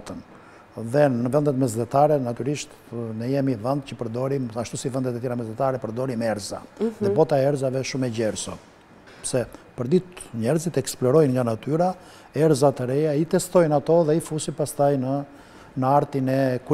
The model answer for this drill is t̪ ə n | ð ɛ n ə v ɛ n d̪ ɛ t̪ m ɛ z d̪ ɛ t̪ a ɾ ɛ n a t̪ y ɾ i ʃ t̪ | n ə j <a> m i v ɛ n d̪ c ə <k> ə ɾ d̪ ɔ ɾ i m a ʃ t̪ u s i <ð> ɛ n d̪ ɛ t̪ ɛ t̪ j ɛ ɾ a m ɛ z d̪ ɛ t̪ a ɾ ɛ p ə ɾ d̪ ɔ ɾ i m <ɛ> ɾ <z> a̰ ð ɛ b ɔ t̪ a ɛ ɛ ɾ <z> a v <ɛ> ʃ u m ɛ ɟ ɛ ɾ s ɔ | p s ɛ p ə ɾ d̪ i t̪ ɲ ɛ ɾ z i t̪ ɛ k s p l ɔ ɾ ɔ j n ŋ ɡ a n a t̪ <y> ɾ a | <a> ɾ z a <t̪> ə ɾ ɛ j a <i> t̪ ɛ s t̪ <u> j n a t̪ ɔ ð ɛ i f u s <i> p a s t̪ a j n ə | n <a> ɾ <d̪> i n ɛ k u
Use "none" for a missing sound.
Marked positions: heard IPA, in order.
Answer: ɛ, p, v, ɛ, z, z, ɛ, y, ɛ, t̪, i, ɔ, i, a, t̪

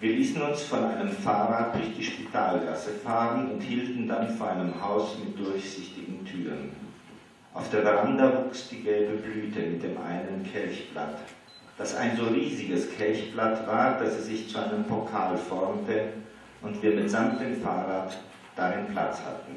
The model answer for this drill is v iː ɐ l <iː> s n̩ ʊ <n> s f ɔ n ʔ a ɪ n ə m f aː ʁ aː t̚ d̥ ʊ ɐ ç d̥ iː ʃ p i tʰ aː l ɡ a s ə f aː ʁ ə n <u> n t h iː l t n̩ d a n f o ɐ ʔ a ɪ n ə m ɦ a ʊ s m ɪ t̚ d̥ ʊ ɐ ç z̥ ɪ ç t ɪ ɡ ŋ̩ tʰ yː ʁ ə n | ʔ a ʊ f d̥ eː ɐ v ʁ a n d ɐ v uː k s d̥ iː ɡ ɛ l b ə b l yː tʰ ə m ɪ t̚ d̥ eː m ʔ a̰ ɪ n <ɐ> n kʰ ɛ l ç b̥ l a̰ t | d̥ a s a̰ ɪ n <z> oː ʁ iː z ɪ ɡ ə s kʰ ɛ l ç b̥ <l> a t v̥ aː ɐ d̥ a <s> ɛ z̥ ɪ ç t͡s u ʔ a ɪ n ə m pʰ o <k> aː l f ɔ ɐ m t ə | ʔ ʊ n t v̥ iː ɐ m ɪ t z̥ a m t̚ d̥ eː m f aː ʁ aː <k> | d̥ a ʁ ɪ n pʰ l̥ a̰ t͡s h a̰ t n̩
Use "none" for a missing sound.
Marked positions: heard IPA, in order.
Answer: iː, n, ʊ, ə, z, l, s, kʰ, t

